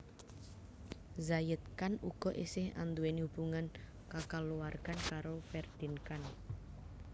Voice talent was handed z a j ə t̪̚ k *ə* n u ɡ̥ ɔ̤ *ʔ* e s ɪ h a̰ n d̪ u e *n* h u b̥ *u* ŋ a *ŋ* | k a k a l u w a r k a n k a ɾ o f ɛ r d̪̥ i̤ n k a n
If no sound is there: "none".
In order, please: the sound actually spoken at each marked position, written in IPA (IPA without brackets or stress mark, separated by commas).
a, ʔ, n, u, n